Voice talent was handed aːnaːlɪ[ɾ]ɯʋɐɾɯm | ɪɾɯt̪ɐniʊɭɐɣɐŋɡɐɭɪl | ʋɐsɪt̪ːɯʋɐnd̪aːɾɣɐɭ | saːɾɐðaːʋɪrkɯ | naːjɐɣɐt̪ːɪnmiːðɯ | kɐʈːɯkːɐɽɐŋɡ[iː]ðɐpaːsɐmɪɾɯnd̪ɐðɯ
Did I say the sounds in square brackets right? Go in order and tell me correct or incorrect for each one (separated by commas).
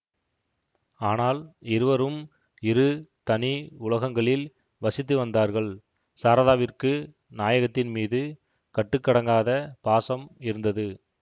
correct, incorrect